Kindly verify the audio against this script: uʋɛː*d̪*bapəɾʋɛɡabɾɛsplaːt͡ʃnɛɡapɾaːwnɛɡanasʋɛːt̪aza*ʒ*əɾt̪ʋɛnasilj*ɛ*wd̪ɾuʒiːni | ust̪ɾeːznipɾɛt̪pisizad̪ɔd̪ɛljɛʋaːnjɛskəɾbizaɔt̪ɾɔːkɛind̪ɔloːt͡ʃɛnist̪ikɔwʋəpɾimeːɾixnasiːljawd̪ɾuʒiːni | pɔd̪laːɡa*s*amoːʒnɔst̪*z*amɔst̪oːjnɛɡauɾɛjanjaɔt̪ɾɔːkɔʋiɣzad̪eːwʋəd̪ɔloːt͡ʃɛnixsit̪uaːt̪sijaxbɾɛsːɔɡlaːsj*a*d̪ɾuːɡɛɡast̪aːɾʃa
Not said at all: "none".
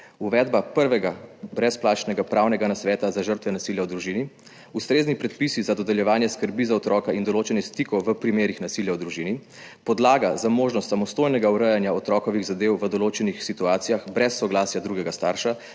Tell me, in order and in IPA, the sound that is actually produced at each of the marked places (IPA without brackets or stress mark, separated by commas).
d̪, ʒ, a, z, s, a